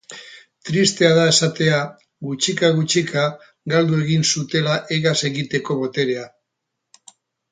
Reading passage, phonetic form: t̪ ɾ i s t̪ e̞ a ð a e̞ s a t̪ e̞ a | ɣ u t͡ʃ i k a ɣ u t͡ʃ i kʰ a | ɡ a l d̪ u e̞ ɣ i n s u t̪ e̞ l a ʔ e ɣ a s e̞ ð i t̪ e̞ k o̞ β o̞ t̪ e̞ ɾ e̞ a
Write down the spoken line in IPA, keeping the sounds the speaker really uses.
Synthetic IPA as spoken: t̪ ɾ i s t̪ e̞ a ð a e̞ s a t̪ e̞ a | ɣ u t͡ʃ i k a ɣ u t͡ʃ i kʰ a | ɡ a l d̪ u e̞ ɣ i n s u t̪ e̞ l a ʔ e ɣ a s e̞ ɣ i t̪ e̞ k o̞ β o̞ t̪ e̞ ɾ e̞ a